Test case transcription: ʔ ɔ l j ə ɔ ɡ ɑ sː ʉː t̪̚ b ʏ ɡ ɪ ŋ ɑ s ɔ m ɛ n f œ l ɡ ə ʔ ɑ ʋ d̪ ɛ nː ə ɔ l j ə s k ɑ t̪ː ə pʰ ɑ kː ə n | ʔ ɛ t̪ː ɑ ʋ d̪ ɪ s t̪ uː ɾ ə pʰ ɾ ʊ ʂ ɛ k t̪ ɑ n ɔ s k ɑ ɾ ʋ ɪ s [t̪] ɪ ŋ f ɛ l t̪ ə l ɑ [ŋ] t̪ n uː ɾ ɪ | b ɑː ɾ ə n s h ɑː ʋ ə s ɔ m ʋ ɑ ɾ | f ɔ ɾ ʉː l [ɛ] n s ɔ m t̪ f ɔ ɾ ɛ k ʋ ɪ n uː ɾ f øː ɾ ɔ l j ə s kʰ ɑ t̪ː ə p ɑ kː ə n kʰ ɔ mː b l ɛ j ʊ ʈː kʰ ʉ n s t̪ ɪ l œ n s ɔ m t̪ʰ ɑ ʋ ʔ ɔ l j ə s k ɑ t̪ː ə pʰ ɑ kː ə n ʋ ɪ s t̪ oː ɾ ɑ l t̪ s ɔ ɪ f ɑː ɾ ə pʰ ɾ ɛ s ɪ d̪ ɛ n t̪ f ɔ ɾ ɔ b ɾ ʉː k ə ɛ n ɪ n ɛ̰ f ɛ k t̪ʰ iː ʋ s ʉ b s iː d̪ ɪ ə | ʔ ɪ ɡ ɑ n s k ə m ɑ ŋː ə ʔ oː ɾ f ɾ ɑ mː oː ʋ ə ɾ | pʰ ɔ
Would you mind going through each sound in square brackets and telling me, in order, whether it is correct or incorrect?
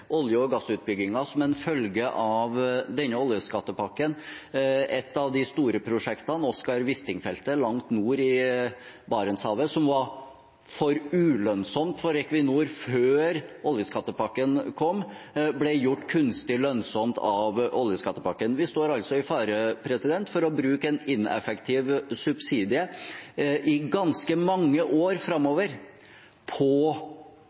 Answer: correct, correct, incorrect: œ

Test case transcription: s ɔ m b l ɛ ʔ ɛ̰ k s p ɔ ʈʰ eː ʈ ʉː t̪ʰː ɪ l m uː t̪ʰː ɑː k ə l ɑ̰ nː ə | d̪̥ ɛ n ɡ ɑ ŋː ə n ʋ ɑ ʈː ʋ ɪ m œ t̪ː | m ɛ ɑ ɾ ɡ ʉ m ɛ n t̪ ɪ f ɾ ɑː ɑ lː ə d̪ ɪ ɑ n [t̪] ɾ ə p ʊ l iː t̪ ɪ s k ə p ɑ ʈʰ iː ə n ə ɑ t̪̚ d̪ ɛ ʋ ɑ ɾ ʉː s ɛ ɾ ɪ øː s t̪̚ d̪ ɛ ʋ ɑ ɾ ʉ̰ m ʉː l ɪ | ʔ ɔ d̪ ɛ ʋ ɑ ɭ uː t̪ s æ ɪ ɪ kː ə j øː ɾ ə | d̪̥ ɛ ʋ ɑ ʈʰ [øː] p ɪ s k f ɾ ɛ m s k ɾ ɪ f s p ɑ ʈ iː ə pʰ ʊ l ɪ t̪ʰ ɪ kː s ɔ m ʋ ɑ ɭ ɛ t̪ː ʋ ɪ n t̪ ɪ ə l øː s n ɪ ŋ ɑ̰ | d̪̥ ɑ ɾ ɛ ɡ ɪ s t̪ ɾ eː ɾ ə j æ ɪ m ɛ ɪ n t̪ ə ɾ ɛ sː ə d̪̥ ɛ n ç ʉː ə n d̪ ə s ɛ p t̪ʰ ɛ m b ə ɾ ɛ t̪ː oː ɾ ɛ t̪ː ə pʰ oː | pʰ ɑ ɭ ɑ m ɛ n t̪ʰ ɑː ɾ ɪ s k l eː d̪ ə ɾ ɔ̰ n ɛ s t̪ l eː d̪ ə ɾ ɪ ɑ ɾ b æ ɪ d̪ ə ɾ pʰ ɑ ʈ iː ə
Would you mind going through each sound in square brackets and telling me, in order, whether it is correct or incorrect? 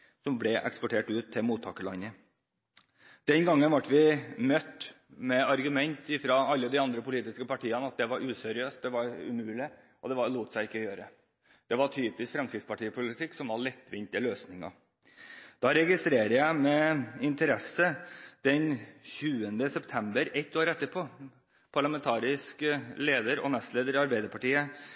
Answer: incorrect: d̪, incorrect: yː

